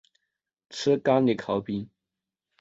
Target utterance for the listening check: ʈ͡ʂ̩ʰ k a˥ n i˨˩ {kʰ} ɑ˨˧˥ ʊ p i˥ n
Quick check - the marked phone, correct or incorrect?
correct